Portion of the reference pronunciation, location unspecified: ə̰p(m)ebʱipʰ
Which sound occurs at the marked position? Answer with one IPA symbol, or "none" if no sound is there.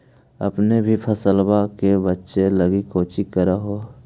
n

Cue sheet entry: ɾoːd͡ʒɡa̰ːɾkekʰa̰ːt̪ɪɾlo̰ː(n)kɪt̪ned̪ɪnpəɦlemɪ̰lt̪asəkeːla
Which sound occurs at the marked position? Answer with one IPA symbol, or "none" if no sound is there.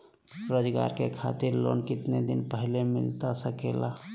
n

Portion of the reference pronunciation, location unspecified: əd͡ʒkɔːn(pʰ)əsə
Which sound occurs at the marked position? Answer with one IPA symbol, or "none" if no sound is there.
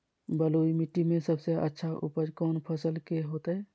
pʰ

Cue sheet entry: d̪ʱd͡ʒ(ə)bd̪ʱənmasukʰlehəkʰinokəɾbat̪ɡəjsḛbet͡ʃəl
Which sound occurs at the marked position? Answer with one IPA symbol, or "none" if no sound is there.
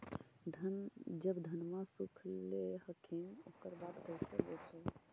ə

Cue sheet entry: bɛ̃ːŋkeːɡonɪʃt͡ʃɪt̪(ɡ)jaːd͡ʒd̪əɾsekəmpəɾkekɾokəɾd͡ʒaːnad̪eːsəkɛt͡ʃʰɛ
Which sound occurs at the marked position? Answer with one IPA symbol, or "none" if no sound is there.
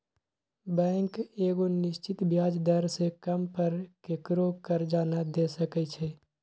b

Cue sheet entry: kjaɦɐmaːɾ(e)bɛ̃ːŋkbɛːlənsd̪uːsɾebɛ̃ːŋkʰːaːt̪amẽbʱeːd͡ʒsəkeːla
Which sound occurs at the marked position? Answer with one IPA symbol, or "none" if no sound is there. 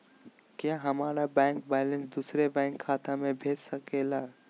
a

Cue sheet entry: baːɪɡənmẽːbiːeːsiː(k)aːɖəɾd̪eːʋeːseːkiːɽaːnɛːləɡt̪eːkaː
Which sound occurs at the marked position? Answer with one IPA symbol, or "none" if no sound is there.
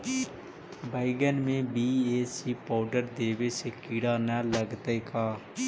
p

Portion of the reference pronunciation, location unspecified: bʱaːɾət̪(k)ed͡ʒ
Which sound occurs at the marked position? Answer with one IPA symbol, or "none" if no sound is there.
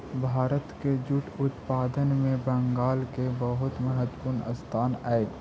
k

